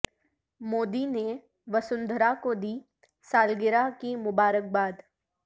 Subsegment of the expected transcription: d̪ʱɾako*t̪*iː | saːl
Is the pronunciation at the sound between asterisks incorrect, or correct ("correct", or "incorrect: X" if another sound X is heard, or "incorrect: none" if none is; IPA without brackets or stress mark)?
incorrect: d̪